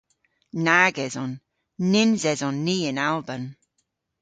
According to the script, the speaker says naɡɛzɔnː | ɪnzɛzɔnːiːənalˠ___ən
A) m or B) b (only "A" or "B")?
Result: B